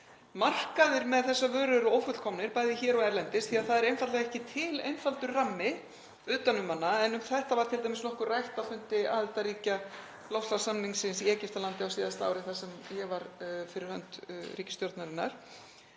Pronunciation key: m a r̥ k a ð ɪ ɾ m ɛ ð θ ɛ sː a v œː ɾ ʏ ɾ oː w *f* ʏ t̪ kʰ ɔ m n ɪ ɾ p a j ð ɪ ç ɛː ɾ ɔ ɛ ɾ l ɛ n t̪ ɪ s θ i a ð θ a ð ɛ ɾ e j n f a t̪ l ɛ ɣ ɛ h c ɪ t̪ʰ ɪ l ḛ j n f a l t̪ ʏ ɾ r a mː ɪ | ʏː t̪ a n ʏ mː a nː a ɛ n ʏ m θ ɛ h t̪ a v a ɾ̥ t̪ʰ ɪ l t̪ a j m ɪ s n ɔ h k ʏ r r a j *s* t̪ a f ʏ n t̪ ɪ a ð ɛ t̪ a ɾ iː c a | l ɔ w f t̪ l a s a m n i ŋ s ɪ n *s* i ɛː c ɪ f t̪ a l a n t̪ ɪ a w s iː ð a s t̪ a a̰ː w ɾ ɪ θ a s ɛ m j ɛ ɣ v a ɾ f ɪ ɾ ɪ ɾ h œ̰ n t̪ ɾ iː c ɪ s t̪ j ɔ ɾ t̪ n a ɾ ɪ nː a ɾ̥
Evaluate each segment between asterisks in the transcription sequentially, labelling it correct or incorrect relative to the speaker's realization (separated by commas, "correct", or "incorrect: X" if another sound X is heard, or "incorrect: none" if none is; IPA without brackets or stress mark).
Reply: correct, incorrect: h, correct